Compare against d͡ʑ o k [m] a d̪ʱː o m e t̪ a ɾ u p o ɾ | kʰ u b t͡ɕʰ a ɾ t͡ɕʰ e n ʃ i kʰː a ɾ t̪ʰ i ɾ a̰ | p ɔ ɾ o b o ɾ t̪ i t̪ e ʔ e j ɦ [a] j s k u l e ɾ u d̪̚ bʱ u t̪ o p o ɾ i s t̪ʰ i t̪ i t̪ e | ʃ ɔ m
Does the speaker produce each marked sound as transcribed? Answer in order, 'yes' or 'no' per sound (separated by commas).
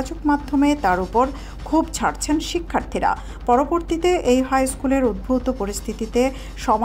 yes, yes